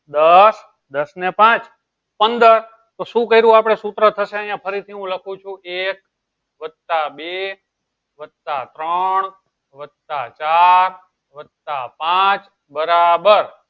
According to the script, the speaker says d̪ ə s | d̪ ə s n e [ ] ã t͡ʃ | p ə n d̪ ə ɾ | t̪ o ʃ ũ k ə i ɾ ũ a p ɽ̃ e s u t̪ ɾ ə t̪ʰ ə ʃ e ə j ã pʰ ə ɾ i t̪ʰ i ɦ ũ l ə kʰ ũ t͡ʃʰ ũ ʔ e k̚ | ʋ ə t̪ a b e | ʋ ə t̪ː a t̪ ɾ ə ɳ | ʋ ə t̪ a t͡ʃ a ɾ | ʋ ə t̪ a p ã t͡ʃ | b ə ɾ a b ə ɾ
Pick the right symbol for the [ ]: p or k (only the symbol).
p